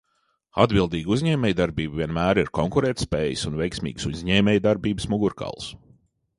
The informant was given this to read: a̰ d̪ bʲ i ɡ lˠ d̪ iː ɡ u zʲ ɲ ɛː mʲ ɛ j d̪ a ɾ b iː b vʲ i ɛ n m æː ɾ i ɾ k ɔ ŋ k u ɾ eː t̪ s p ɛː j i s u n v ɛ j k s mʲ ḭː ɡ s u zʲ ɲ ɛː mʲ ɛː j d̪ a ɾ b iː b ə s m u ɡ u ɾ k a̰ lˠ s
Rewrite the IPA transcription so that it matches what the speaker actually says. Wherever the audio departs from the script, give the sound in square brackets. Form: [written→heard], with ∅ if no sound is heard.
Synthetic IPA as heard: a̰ d̪ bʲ i [ɡ→∅] lˠ d̪ iː ɡ u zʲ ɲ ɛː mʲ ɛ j d̪ a ɾ b iː b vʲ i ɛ n m æː ɾ i ɾ k ɔ ŋ k u ɾ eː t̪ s p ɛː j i s u n v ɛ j k s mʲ ḭː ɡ s u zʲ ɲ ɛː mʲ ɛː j d̪ a ɾ b iː b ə s m u ɡ u ɾ k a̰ lˠ s